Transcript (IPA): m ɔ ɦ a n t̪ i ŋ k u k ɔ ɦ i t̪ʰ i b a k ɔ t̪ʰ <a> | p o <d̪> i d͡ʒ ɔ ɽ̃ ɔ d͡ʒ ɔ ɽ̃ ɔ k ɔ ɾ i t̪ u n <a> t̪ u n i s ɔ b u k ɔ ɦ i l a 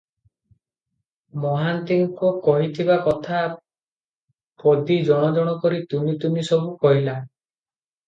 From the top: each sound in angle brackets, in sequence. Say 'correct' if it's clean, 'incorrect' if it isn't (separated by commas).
correct, correct, incorrect